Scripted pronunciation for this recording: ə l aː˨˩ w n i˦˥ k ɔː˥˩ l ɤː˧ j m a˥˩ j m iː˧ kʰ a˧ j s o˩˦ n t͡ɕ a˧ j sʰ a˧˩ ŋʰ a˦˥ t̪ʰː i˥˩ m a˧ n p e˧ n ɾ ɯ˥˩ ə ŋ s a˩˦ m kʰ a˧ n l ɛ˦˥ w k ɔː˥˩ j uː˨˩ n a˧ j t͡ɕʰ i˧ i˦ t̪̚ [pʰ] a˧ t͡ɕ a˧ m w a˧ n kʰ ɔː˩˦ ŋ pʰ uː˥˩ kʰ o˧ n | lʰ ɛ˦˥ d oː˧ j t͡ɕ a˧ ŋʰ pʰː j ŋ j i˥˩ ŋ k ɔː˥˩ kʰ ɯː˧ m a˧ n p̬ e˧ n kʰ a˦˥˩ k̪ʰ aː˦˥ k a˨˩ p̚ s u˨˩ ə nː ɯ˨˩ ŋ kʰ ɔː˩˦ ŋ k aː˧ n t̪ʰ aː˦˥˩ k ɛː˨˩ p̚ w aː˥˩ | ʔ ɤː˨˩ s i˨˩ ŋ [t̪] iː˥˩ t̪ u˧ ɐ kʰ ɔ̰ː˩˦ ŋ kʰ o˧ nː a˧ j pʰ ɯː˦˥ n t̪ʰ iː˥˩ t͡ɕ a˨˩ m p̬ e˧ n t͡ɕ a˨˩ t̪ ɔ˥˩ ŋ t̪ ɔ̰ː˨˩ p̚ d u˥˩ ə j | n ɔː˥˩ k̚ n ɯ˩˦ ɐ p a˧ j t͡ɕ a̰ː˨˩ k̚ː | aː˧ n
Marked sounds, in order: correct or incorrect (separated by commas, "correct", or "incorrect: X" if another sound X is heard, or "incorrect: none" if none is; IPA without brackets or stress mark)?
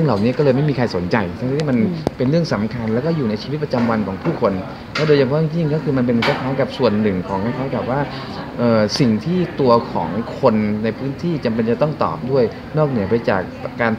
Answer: incorrect: p, incorrect: t̪ʰ